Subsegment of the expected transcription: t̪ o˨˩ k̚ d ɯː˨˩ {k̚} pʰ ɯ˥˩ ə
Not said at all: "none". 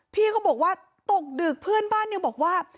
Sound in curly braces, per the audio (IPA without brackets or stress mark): k̚